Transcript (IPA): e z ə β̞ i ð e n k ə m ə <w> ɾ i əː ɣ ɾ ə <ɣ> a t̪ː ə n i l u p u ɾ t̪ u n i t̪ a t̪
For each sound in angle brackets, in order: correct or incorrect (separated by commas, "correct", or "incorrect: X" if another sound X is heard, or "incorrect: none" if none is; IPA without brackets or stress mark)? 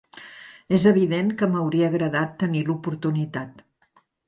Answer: correct, incorrect: ð